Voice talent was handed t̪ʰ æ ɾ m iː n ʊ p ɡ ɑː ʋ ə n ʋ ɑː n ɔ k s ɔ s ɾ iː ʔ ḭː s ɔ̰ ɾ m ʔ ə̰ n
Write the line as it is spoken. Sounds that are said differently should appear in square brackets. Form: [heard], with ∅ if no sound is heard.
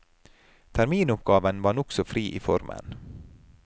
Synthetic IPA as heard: t̪ʰ æ ɾ m iː n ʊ p ɡ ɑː ʋ ə n ʋ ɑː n ɔ k s ɔ [f] ɾ iː ʔ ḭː [f] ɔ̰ ɾ m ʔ ə̰ n